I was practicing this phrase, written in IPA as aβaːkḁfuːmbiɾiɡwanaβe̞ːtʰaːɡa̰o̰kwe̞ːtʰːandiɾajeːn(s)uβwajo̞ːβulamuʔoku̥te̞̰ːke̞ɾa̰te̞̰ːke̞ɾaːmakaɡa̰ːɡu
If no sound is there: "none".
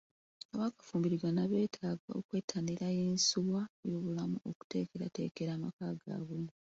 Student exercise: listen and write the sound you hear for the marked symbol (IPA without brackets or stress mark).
s